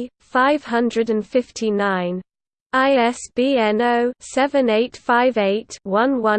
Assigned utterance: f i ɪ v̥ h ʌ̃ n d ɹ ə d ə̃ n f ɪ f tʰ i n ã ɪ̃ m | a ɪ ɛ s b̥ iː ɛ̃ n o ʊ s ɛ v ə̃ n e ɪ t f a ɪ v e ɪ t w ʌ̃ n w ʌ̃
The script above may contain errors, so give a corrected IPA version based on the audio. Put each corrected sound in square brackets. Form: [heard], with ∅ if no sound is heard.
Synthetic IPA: f [a] ɪ v̥ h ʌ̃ n d ɹ ə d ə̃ n f ɪ f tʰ i n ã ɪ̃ [n] | a ɪ ɛ s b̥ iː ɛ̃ n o ʊ s ɛ v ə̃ n e ɪ t f a ɪ v e ɪ t w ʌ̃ n w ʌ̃